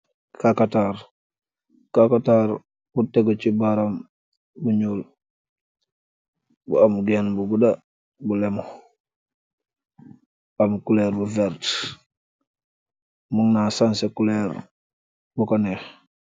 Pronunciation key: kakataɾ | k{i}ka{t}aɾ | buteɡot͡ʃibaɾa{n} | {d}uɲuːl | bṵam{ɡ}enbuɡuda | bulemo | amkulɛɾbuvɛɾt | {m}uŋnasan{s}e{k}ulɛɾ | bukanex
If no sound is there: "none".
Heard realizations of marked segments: a, t, m, b, ɡ, m, s, k

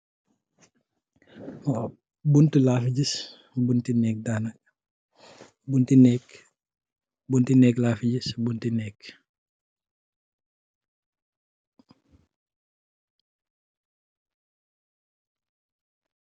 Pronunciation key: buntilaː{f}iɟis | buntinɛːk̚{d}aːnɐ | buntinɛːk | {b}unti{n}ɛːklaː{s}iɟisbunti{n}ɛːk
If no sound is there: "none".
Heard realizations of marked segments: f, d, b, n, f, n

